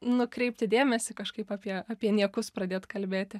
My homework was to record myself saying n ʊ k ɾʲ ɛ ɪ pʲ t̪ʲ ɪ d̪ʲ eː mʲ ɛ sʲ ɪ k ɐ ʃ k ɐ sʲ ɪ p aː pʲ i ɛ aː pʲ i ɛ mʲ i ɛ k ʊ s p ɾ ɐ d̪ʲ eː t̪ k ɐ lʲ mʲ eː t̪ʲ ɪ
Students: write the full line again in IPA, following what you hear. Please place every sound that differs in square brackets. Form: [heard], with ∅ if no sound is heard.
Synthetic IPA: n ʊ k ɾʲ ɛ ɪ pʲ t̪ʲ ɪ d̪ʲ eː mʲ ɛ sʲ ɪ k ɐ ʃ k ɐ [∅] ɪ p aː pʲ i ɛ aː pʲ i ɛ [nʲ] i ɛ k ʊ s p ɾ ɐ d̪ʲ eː t̪ k ɐ lʲ [bʲ] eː t̪ʲ ɪ